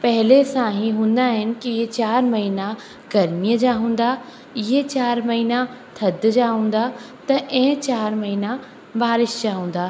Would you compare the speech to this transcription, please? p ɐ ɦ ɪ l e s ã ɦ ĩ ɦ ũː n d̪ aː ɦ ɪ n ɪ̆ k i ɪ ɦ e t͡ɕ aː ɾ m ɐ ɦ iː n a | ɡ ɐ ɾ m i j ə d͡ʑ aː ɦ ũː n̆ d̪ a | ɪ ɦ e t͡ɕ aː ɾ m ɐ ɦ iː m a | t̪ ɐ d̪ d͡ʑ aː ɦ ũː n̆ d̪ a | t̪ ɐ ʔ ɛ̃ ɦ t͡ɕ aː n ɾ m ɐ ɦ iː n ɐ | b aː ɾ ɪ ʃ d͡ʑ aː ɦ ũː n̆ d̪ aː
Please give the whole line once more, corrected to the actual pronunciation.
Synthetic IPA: p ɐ ɦ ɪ l e s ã ɦ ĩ ɦ ũː n d̪ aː ɦ ɪ n ɪ̆ k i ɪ ɦ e t͡ɕ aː ɾ m ɐ ɦ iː n a | ɡ ɐ ɾ m i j ə d͡ʑ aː ɦ ũː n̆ d̪ a | ɪ ɦ e t͡ɕ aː ɾ m ɐ ɦ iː n a | t̪ʰ ɐ d̪ d͡ʑ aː ɦ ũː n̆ d̪ a | t̪ ɐ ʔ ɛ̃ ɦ t͡ɕ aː ɾ m ɐ ɦ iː n a | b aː ɾ ɪ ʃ d͡ʑ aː ɦ ũː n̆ d̪ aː